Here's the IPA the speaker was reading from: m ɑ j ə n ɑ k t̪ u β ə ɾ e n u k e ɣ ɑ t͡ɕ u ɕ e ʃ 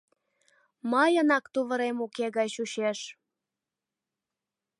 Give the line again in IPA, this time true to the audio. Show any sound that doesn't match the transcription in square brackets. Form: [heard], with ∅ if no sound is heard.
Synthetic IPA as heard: m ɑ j ə n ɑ k t̪ u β ə ɾ e [m] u k e ɣ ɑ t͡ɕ u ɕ e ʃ